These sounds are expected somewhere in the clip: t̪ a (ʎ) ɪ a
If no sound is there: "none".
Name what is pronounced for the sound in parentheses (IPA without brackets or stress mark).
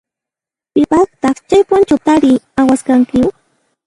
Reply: ɾ